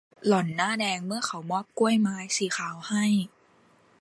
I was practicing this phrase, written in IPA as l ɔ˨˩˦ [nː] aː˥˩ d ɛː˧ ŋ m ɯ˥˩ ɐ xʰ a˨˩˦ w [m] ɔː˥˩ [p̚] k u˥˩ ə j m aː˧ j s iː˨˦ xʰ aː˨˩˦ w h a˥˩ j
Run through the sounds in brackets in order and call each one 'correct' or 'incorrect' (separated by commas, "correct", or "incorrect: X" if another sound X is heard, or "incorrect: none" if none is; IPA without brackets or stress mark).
correct, correct, correct